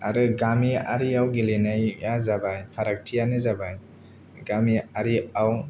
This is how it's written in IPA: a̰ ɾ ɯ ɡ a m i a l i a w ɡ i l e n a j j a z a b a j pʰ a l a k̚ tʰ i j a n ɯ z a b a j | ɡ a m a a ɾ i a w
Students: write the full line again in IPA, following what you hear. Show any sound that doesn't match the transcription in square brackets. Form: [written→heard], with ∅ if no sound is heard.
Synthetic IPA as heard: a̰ ɾ ɯ ɡ a m i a [l→ɾ] i a w ɡ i l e n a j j a z a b a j pʰ a [l→ɾ] a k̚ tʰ i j a n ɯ z a b a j | ɡ a m [a→i] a ɾ i a w